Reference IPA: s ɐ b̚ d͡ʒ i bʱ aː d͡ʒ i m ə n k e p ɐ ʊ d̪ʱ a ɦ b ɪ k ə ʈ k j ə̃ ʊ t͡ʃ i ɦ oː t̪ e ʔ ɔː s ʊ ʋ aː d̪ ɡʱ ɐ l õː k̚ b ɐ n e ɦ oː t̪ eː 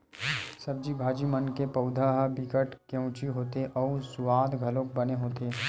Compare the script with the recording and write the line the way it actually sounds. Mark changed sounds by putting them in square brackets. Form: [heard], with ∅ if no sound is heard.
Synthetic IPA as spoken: s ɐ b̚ d͡ʒ i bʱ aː d͡ʒ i m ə n k e p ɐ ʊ d̪ʱ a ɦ b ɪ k ə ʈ k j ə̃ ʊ t͡ʃ i ɦ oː t̪ e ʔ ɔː s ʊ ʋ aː d̪ ɡʱ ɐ l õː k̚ b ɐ n e ɦ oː t̪ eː